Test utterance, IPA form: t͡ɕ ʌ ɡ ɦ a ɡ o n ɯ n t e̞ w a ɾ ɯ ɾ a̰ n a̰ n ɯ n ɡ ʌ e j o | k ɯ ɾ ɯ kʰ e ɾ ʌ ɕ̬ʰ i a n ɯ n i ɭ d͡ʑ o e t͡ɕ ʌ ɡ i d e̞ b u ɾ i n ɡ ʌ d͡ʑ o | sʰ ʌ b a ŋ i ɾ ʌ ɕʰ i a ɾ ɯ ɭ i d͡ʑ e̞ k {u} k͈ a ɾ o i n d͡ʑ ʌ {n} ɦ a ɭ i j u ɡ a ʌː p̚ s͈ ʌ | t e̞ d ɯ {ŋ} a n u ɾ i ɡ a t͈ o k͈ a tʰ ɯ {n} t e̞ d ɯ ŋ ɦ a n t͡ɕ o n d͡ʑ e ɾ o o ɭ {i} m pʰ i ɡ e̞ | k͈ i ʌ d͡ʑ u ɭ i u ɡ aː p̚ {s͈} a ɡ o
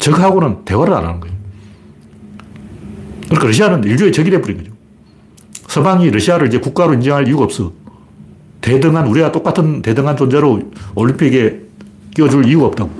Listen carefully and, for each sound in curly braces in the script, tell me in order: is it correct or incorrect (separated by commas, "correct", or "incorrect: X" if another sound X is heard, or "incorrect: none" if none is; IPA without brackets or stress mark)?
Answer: correct, incorrect: ŋ, correct, correct, correct, incorrect: t͈